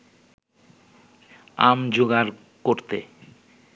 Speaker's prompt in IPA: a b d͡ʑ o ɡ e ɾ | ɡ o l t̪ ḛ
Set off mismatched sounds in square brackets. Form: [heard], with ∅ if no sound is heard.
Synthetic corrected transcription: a [m] d͡ʑ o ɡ [a] ɾ | [k] o [ɾ] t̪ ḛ